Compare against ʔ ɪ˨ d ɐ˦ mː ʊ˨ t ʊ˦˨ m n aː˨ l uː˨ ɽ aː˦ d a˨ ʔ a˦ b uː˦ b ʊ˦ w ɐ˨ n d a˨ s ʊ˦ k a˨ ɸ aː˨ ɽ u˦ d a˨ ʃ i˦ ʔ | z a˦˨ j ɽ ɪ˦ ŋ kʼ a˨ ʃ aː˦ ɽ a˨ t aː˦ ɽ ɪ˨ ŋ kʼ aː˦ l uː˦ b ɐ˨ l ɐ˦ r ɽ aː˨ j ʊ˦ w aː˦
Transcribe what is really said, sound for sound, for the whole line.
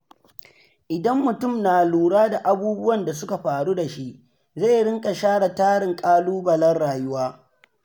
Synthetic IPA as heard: ʔ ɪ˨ d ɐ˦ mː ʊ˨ t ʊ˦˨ m n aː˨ l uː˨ ɽ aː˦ d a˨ ʔ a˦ b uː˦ b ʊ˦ w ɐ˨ n d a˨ s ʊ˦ k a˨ ɸ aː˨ ɽ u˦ d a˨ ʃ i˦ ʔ | z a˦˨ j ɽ ɪ˦ ŋ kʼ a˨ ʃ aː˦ ɽ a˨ t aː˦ ɽ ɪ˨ ŋ kʼ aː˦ l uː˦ b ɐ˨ l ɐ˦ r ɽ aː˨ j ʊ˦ w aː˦